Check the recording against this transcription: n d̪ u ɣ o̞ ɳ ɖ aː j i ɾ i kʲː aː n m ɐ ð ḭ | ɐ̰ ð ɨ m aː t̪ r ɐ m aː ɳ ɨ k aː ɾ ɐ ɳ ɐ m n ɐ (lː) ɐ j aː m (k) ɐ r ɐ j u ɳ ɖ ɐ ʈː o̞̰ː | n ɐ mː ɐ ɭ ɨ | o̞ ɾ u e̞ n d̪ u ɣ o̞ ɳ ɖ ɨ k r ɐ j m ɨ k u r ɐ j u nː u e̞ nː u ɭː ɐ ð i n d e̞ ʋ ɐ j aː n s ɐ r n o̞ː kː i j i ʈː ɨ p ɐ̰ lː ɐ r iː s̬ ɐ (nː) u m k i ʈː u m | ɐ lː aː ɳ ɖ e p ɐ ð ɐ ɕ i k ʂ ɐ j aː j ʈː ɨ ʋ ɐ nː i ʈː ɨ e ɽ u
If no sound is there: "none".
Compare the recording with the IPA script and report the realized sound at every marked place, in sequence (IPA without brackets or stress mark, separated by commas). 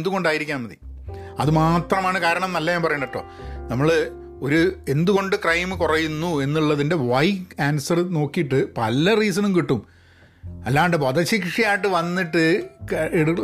lː, p, n